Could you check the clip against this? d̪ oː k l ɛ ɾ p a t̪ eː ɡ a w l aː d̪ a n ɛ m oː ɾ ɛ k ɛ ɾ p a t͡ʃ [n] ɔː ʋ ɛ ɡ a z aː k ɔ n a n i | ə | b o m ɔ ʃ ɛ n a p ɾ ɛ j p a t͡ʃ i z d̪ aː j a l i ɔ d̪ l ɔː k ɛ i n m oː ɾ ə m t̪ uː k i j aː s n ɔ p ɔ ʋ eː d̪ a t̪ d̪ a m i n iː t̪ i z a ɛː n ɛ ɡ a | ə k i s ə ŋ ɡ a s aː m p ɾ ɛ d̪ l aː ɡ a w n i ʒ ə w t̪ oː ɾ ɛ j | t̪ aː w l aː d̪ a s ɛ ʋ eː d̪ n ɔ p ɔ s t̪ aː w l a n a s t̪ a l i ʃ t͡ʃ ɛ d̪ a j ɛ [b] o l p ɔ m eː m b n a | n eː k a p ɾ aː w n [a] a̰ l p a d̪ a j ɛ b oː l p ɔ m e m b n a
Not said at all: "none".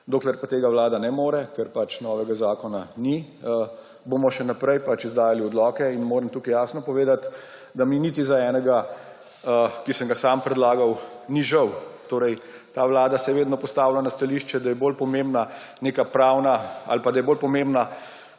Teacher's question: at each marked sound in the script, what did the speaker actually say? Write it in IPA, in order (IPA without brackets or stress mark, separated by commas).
n, b, a